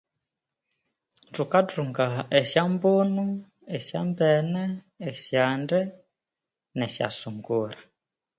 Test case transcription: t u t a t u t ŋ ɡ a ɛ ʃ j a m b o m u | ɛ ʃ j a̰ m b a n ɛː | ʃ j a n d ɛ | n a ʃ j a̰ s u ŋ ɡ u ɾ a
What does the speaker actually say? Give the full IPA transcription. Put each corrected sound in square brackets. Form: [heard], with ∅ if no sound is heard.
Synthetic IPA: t u [k] a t u [∅] ŋ ɡ a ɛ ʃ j a m b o [n] u | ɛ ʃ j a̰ m b [ɛ] n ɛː | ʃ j a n d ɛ | n [ɛ] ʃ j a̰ s u ŋ ɡ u ɾ a